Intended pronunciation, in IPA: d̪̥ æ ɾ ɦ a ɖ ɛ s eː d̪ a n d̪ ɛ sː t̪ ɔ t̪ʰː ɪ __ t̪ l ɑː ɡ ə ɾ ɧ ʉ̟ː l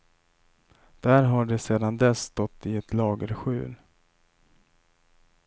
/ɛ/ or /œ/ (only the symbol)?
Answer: ɛ